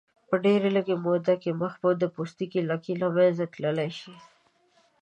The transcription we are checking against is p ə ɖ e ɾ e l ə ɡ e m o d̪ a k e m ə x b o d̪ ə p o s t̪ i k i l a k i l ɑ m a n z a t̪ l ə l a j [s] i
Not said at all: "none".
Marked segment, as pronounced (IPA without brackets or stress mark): ʃ